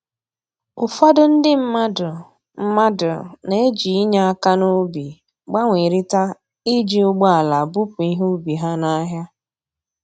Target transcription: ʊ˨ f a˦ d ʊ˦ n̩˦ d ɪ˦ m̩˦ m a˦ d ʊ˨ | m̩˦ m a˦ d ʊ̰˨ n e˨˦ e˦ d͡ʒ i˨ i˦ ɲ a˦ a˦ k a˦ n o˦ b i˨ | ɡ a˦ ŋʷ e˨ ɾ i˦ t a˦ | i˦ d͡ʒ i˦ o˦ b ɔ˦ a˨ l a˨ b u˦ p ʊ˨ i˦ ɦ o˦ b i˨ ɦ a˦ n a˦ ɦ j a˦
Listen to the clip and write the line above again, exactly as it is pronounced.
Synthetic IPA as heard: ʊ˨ f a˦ d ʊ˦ n̩˦ d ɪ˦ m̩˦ m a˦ d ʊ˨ | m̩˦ m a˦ d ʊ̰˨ n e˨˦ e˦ d͡ʒ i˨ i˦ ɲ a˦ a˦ k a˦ n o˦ b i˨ | ɡ͡b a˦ ŋʷ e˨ ɾ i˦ t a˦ | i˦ d͡ʒ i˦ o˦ ɡ͡b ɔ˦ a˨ l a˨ b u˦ p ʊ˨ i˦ ɦ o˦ b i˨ ɦ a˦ n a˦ ɦ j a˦